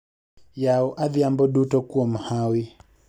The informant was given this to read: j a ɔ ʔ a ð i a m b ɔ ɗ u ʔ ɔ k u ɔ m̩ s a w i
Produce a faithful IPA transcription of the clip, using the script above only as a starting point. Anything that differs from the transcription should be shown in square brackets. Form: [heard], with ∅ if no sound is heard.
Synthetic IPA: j a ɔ ʔ a ð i a m b ɔ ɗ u [t] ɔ k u ɔ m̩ [h] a w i